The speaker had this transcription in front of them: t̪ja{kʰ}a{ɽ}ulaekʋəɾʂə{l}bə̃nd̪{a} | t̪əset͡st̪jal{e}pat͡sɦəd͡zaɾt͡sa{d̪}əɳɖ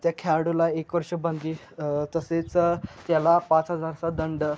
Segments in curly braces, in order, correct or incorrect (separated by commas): correct, correct, incorrect, incorrect, incorrect, correct